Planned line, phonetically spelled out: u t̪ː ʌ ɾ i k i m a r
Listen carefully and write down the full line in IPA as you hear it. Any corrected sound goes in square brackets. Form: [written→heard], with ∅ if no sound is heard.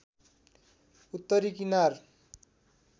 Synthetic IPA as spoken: u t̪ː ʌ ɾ i k i [m→n] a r